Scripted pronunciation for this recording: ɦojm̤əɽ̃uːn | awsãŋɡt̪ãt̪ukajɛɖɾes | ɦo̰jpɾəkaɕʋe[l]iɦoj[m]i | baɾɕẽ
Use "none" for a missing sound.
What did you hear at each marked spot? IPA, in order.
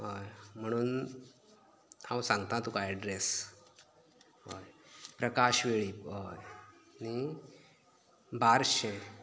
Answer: ɭ, n

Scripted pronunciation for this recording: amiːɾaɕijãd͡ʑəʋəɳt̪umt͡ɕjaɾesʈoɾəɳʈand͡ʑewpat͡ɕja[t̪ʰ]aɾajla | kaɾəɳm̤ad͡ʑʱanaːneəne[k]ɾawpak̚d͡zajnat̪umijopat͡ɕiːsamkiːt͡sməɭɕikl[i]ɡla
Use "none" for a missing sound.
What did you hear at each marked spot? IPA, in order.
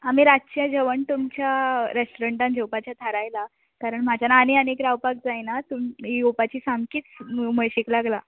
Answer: t̪ʰ, k, a

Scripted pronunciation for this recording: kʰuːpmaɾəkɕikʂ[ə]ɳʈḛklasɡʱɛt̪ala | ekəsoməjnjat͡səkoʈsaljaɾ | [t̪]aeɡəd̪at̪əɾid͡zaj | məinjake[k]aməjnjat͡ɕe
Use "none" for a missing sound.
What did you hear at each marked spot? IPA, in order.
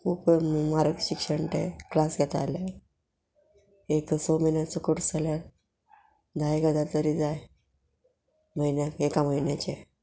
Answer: ə, d̪, k

